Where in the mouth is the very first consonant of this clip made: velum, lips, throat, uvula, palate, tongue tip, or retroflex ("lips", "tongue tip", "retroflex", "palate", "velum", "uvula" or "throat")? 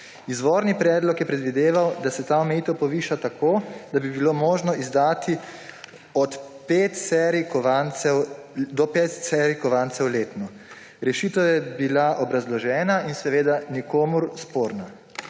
tongue tip